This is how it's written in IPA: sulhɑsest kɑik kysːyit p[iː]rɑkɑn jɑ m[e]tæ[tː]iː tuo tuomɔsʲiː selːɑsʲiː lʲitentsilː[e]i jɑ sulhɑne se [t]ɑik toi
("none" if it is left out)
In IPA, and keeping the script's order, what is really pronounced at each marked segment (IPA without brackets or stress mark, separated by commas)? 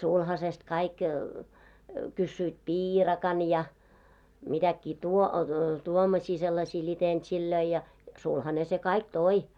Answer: iː, i, kː, ø, k